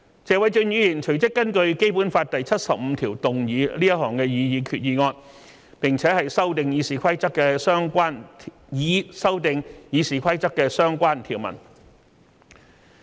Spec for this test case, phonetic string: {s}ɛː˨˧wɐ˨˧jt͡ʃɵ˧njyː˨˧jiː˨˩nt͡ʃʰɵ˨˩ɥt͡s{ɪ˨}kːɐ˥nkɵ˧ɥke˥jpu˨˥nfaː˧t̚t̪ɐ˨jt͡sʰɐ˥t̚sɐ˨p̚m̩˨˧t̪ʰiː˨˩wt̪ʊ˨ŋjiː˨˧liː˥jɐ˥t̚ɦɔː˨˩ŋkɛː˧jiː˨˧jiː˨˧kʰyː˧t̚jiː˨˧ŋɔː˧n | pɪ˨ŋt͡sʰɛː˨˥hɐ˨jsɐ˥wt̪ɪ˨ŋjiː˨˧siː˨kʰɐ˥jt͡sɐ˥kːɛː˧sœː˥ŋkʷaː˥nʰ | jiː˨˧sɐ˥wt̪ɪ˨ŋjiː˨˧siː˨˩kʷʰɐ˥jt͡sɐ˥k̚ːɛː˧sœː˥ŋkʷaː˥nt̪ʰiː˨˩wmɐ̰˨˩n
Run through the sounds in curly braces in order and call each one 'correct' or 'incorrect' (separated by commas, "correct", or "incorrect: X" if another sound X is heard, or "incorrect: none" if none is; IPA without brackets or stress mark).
incorrect: t͡s, incorrect: ɪ˥